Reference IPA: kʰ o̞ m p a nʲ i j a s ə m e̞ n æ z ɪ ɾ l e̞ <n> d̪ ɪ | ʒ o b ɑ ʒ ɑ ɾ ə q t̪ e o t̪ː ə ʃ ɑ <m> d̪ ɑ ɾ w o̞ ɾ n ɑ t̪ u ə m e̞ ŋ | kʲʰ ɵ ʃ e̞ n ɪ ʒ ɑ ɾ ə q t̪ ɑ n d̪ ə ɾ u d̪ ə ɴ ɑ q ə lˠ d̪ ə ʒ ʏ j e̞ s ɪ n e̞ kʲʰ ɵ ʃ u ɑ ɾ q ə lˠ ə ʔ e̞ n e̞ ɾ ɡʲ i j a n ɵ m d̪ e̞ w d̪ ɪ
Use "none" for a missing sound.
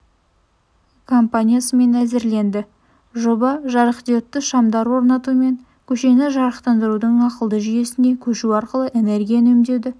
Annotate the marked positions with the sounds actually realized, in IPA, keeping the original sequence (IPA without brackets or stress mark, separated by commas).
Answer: n, m